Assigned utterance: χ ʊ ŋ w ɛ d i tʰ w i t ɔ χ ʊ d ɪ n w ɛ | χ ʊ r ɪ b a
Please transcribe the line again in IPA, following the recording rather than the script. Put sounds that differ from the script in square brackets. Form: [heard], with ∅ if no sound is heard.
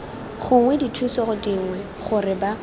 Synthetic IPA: χ ʊ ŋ w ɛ d i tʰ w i [s] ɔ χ ʊ d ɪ [ŋ] w ɛ | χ ʊ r ɪ b a